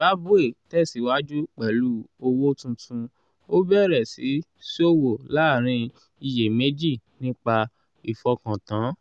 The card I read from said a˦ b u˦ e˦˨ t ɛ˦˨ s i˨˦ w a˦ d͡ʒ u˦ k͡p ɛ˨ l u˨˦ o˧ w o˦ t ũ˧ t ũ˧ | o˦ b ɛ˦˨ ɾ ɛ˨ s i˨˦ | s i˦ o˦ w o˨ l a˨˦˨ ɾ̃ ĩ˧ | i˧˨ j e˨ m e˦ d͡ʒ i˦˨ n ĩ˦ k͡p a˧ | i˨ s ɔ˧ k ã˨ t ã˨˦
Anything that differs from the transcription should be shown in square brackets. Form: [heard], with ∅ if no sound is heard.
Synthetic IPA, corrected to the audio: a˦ b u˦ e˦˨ t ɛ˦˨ s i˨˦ w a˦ d͡ʒ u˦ k͡p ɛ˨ l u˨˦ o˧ w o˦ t ũ˧ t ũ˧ | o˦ b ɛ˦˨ ɾ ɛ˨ s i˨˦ | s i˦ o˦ w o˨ l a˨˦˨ ɾ̃ ĩ˧ | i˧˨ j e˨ m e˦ d͡ʒ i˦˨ n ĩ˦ k͡p a˧ | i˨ [f] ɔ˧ k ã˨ t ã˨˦

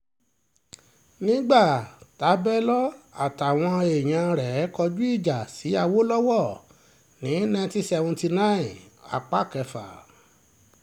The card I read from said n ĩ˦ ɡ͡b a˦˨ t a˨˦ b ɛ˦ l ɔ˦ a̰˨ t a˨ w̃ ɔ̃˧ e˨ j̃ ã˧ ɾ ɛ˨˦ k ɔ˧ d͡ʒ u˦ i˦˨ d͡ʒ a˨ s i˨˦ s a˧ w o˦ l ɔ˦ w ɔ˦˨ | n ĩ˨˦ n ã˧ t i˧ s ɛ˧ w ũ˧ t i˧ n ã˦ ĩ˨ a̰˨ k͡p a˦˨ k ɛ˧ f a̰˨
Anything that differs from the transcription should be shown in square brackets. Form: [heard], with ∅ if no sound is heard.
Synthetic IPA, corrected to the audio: n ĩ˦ ɡ͡b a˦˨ t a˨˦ b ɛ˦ l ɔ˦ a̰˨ t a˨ w̃ ɔ̃˧ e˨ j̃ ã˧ ɾ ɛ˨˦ k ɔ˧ d͡ʒ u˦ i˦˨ d͡ʒ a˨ s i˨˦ [∅] a˧ w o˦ l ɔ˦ w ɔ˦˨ | n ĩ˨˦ n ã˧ t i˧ s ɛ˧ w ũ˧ t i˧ n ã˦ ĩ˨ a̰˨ k͡p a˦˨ k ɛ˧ f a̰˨

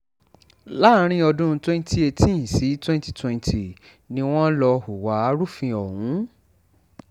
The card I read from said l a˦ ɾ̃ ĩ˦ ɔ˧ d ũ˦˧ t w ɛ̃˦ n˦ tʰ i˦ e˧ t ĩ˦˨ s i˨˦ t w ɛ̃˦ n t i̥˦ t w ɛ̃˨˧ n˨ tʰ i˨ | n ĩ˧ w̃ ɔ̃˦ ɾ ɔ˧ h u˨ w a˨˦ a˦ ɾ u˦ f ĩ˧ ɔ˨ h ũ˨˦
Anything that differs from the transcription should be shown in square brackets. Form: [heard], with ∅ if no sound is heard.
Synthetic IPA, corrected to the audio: l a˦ ɾ̃ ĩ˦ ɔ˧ d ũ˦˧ t w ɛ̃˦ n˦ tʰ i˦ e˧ t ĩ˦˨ s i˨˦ t w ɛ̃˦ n t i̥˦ t w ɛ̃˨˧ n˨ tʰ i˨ | n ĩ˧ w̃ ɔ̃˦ [l] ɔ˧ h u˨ w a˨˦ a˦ ɾ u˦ f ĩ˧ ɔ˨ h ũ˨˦

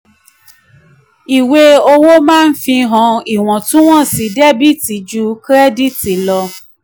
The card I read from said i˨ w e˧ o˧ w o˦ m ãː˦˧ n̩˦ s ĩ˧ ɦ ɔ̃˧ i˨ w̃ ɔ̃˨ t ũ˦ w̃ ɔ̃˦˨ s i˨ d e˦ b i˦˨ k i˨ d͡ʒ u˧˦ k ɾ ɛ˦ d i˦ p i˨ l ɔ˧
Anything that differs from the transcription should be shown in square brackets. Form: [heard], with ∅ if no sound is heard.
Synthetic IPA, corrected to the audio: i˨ w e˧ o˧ w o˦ m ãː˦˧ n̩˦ [f] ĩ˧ ɦ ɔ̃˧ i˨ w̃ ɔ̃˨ t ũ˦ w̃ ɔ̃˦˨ s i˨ d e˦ b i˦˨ [t] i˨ d͡ʒ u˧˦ k ɾ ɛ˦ d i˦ [t] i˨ l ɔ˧

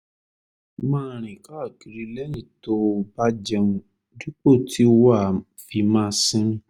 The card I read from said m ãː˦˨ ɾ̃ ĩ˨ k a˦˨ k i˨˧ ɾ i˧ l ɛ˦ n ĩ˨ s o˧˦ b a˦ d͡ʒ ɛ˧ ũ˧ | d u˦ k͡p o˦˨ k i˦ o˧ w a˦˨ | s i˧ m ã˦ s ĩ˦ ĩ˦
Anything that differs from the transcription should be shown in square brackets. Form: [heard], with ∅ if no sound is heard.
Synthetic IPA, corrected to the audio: m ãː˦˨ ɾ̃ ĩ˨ k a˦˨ k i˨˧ ɾ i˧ l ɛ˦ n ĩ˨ [t] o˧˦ b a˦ d͡ʒ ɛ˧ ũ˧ | d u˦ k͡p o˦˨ [t] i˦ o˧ w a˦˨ | [f] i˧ m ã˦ s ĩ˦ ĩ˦

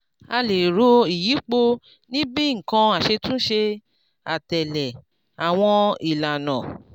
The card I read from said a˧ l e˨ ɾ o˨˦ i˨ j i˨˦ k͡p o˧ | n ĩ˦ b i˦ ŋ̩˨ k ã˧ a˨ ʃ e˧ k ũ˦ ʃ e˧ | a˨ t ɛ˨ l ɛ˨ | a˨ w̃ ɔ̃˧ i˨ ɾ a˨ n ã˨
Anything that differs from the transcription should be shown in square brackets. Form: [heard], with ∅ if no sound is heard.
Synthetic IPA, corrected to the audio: a˧ l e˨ ɾ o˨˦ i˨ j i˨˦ k͡p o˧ | n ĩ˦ b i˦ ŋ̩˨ k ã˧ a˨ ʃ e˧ [t] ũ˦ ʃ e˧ | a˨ t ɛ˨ l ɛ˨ | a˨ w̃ ɔ̃˧ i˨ [l] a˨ n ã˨

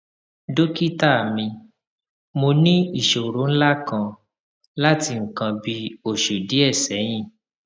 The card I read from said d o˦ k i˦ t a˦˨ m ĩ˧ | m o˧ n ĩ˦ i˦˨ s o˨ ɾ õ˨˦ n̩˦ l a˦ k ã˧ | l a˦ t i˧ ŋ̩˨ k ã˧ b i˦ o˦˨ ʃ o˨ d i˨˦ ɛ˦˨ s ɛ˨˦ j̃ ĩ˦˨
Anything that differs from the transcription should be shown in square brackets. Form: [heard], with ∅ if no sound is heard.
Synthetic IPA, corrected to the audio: d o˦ k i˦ t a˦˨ m ĩ˧ | m o˧ n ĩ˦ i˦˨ [ʃ] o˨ ɾ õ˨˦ n̩˦ l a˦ k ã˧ | l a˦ t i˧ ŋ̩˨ k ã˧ b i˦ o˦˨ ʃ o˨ d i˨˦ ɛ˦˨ s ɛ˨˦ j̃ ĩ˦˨

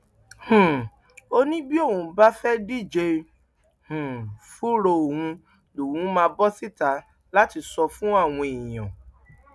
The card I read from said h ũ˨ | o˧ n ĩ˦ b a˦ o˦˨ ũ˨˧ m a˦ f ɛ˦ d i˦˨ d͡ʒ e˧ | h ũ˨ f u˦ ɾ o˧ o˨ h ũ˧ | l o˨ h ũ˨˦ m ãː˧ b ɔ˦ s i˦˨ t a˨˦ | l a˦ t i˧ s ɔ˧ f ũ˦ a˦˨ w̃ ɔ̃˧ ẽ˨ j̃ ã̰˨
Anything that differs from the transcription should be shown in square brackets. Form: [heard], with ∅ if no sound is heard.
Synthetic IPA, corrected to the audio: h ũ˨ | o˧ n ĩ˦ b [i˦] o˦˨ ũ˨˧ [b] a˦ f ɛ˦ d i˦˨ d͡ʒ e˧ | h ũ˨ f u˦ ɾ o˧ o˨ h ũ˧ | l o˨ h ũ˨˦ m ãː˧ b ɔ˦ s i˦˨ t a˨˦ | l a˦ t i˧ s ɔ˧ f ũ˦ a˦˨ w̃ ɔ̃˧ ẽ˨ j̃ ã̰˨

